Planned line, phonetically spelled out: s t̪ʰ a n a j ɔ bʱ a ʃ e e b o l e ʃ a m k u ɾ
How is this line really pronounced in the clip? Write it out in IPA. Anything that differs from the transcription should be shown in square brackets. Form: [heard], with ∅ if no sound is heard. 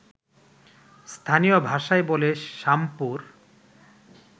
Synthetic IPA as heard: s t̪ʰ a n [i] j [o] bʱ a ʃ [a] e b o l e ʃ a m [p] u ɾ